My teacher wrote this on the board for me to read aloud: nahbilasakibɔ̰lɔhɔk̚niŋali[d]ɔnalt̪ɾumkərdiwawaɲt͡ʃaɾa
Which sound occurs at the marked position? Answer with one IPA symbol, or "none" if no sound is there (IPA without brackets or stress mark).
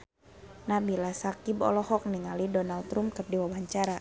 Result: d